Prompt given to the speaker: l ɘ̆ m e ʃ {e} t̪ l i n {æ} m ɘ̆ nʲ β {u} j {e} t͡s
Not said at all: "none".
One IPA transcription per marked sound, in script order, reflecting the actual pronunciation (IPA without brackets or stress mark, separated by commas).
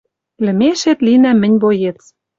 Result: e, æ, o, e